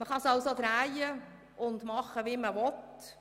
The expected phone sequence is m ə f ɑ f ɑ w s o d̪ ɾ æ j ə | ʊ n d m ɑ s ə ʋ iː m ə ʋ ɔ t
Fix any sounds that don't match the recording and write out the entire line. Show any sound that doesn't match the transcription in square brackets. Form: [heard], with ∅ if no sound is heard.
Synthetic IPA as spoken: m ə [χ] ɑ [s] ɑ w s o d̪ ɾ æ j ə | ʊ n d m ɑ [χ] ə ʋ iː m ə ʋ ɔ t